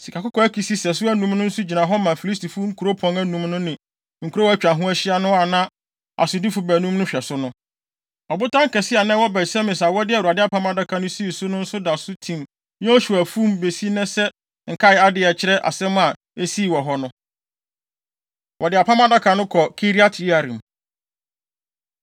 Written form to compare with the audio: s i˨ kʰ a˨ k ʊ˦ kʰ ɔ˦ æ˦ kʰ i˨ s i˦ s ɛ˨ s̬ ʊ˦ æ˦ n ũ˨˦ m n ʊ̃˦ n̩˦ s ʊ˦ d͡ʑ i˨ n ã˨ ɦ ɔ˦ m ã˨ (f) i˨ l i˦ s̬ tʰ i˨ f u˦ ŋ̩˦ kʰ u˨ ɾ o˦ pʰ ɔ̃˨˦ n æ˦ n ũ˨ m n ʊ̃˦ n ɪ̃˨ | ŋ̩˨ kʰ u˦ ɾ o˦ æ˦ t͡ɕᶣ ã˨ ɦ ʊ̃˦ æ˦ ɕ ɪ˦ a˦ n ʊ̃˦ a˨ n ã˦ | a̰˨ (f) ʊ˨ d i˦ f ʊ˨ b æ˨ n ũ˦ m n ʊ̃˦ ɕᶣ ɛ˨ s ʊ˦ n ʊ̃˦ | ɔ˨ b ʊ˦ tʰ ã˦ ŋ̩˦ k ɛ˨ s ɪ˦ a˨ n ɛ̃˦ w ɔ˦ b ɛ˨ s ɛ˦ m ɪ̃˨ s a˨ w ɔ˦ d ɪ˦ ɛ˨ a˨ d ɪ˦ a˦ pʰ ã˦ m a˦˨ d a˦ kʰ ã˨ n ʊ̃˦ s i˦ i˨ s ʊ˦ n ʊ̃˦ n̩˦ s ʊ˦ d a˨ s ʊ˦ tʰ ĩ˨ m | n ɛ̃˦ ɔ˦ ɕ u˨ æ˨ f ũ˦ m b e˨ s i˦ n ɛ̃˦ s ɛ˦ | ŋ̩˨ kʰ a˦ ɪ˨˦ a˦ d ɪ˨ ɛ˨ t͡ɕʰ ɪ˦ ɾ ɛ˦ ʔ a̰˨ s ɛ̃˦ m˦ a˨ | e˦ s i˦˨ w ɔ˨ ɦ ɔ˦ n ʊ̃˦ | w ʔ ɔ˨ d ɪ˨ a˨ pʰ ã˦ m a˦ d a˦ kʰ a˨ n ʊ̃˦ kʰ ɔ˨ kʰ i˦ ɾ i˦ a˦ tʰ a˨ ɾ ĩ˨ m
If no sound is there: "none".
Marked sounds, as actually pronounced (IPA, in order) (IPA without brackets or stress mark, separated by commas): f, s